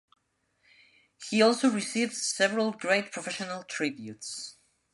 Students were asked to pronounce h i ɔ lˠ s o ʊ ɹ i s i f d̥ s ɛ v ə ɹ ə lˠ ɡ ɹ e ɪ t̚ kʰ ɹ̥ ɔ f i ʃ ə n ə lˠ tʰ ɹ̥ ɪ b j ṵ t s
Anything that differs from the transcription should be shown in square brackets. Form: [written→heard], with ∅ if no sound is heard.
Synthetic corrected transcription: h i ɔ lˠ s o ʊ ɹ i s i [f→v] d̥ s ɛ v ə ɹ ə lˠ ɡ ɹ e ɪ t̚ [kʰ→pʰ] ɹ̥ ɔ f [i→ɛ] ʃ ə n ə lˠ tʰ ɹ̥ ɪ b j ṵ t s